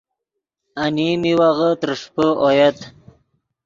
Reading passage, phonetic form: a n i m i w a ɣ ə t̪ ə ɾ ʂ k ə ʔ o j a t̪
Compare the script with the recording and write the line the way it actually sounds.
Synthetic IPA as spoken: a n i m i w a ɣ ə t̪ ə ɾ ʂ p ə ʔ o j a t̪